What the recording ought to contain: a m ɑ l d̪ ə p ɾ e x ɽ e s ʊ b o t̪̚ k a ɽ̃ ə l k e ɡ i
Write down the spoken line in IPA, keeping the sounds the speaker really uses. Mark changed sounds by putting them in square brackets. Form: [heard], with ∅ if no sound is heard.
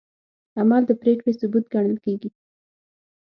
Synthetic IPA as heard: a m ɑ l d̪ ə p ɾ e [k] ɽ e s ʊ b [u] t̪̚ [ɡ] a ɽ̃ ə l k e ɡ i